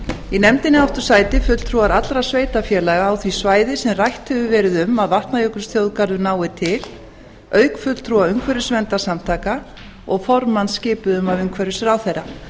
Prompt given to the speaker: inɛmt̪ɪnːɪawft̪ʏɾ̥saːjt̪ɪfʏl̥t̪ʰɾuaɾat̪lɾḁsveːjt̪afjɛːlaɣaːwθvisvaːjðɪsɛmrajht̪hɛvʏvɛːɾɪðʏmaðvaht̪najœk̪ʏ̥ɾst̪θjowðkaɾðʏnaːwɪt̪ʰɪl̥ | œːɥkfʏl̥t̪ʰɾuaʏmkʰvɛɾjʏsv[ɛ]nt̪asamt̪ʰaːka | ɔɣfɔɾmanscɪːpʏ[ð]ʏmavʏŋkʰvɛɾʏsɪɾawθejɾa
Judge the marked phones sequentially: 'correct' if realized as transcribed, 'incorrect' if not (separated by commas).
correct, correct